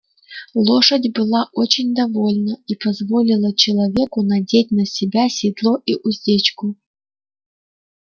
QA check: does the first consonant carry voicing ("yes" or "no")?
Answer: yes